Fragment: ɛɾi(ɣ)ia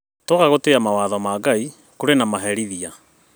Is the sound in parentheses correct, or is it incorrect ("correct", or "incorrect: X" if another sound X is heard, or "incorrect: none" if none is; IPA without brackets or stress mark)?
incorrect: ð